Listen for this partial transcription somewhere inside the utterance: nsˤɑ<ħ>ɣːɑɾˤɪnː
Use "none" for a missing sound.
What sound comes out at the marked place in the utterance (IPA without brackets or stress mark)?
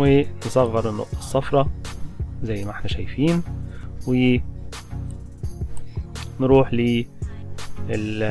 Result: none